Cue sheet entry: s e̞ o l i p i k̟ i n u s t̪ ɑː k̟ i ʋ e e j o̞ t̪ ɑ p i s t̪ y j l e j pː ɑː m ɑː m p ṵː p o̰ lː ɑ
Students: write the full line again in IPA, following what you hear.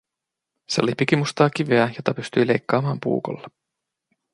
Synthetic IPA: s e̞ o l i p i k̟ i m u s t̪ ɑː k̟ i ʋ e æ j o̞ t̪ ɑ p y s t̪ y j l e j kː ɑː m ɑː m p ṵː k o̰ lː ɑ